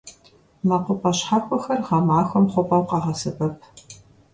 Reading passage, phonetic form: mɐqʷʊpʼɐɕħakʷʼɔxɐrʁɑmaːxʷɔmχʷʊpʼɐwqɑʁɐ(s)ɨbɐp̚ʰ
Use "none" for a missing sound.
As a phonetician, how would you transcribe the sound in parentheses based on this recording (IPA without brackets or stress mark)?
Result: s